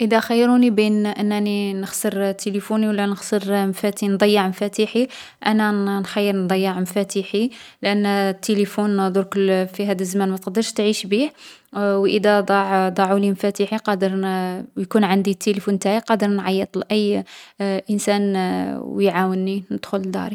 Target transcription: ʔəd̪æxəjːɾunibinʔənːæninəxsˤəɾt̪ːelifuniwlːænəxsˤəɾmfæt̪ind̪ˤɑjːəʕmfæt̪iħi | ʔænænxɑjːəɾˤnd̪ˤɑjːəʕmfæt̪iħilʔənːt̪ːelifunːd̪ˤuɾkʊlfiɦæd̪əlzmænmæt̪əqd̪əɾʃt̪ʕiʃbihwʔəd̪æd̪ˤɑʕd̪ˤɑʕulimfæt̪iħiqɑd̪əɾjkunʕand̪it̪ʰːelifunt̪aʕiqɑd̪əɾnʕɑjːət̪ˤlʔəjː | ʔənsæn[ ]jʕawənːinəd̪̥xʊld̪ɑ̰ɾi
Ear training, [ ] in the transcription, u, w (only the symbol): w